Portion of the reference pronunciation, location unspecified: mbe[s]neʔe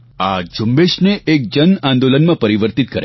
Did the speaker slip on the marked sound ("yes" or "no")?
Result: yes